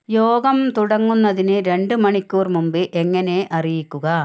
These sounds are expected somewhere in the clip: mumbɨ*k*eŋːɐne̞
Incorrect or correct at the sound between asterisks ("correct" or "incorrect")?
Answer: incorrect